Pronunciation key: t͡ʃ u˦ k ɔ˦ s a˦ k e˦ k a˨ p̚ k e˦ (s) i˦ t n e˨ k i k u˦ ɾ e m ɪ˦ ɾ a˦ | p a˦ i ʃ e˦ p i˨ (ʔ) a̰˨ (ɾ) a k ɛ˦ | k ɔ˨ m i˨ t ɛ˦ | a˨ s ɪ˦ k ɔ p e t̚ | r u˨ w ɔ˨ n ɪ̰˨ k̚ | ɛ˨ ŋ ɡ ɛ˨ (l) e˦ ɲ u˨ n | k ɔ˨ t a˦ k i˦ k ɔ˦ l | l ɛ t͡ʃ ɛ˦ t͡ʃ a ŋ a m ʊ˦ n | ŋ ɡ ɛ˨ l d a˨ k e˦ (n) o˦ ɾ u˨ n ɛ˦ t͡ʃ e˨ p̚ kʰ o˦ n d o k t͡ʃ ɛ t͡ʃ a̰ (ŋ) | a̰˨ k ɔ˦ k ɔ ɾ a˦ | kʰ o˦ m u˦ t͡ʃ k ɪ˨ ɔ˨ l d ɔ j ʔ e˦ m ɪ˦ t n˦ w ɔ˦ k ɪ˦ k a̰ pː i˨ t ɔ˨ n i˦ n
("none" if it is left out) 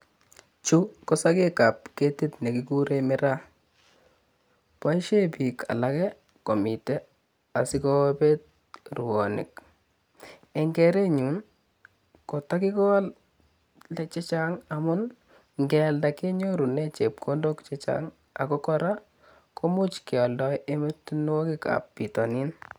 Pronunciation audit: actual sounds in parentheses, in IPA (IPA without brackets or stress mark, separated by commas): t, k, l, ɾ, ɲ, ŋ